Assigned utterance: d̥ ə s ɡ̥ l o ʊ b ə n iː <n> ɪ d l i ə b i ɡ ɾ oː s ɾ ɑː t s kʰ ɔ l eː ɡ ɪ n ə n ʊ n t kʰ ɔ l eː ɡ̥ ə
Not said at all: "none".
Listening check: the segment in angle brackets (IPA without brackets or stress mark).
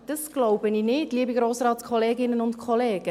n